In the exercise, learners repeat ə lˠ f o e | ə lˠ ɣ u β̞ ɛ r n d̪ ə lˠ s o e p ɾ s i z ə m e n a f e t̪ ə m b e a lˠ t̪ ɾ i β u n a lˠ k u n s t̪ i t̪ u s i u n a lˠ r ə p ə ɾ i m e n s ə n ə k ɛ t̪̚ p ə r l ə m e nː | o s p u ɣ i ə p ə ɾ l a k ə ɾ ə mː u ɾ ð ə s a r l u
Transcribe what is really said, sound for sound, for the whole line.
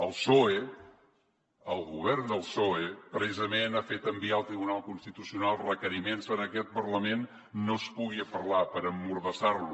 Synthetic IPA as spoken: ə lˠ s o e | ə lˠ ɣ u β̞ ɛ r n d̪ ə lˠ s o e p ɾ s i z ə m e n a f e t̪ ə m b i a lˠ t̪ ɾ i β u n a lˠ k u n s t̪ i t̪ u s i u n a lˠ r ə k ə ɾ i m e n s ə n ə k ɛ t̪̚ p ə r l ə m e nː | o s p u ɣ i ə p ə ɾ l a p ə ɾ ə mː u ɾ ð ə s a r l u